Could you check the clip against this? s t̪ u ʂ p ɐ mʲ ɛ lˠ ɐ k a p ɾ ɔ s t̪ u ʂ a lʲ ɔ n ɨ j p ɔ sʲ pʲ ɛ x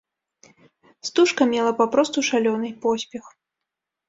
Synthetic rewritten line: s t̪ u ʂ k ɐ mʲ ɛ lˠ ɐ p a p ɾ ɔ s t̪ u ʂ a lʲ ɔ n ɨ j p ɔ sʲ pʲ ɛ x